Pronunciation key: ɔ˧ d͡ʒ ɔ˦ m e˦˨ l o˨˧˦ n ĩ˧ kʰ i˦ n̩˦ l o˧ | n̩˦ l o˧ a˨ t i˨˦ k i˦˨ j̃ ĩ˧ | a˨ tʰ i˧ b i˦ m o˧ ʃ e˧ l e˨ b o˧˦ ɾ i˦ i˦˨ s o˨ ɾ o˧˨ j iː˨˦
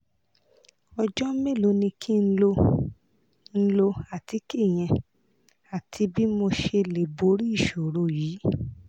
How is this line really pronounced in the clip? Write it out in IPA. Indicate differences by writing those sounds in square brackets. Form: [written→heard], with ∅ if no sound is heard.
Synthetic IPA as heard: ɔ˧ d͡ʒ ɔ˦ m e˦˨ l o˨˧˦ n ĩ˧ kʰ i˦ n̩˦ l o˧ | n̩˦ l o˧ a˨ t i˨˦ k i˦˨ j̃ [ĩ˧→ɛ̃˧] | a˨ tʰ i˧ b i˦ m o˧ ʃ e˧ l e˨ b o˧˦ ɾ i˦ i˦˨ [s→ʃ] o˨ ɾ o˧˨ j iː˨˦